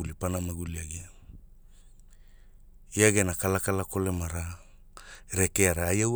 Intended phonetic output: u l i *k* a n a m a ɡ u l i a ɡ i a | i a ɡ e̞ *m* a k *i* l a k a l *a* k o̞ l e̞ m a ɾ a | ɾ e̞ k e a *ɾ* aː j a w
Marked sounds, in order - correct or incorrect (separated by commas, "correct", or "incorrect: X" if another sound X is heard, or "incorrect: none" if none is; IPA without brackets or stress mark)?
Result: incorrect: p, incorrect: n, incorrect: a, correct, correct